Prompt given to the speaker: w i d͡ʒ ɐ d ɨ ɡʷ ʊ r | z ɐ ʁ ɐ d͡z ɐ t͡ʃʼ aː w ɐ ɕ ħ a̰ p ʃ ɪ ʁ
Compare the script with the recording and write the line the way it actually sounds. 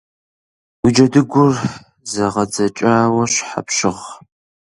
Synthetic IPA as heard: w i d͡ʒ ɐ d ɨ ɡʷ ʊ r | z ɐ ʁ ɐ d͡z ɐ t͡ʃʼ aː w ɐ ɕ ħ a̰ p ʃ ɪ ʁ